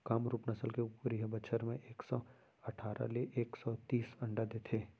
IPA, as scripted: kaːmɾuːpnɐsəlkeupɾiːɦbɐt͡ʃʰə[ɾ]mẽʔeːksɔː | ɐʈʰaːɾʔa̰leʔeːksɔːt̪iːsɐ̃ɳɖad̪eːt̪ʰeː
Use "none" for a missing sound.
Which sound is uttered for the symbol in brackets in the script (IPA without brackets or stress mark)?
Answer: ɾ